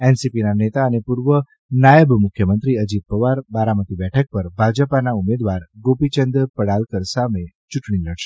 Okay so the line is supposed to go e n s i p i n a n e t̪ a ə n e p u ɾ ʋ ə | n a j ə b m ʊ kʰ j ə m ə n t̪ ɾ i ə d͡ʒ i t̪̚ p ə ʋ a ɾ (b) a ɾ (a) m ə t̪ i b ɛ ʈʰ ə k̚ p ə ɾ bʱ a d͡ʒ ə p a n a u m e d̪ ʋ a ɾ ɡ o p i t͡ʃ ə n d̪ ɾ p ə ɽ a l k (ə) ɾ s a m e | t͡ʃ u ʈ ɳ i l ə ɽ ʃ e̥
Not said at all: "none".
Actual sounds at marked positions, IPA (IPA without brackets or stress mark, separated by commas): b, a, ə